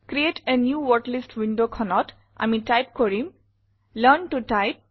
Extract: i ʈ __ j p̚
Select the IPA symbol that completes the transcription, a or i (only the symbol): a